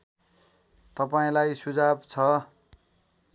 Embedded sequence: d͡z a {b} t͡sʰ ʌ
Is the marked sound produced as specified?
yes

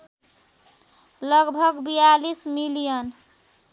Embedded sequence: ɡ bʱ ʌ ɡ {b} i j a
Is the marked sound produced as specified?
yes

